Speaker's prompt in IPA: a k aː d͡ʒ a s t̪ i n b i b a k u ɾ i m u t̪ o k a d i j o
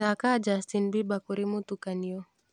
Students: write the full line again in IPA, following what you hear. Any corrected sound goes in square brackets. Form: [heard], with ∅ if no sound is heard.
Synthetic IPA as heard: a k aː d͡ʒ a s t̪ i n b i b a k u ɾ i m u t̪ [u] k a [n] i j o